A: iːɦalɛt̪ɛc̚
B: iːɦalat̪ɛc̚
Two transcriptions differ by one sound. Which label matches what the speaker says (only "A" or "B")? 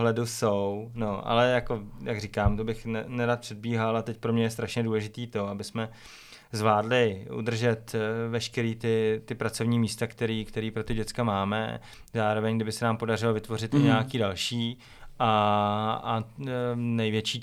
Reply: B